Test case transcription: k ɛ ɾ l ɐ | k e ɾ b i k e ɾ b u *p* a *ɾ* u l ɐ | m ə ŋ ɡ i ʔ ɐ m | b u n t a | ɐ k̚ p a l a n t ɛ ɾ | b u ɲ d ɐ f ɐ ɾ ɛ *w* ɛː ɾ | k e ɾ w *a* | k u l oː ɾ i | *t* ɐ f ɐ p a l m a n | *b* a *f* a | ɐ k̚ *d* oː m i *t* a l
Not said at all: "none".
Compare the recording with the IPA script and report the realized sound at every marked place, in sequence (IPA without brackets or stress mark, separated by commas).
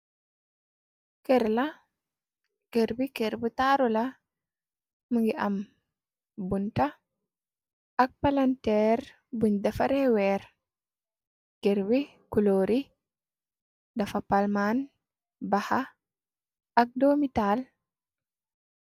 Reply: t, ɾ, w, i, d, b, h, d, t